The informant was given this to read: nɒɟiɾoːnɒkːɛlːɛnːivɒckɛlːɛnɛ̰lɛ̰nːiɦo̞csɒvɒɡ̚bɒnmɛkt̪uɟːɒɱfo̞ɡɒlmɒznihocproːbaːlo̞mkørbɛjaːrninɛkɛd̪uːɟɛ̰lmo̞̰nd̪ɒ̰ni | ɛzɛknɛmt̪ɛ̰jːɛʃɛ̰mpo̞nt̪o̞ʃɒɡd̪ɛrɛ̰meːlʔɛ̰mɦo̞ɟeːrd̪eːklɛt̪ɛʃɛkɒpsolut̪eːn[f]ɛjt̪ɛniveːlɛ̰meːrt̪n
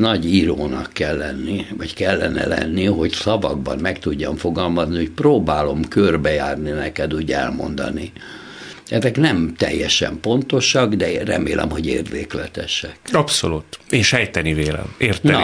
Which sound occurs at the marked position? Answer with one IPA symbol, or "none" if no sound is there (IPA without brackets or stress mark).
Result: ʃ